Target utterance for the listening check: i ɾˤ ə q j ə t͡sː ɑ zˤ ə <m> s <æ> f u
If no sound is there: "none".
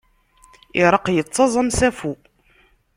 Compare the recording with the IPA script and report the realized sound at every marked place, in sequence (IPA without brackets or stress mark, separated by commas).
m, æ